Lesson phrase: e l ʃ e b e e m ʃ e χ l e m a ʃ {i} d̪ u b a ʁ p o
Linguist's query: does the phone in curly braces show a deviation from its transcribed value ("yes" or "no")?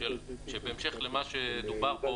yes